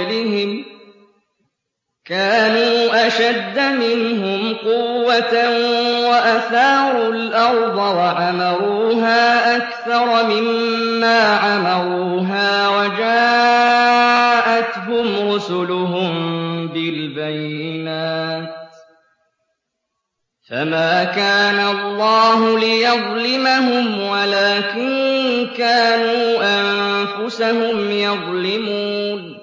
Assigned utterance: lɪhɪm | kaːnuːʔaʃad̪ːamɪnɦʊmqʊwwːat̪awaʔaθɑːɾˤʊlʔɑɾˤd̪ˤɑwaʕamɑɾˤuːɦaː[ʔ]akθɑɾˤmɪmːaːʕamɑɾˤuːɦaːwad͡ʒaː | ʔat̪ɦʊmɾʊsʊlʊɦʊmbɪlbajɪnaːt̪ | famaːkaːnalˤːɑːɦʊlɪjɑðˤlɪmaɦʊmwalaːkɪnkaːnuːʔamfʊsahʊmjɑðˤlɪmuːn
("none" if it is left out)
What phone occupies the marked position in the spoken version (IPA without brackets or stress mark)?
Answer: ʔ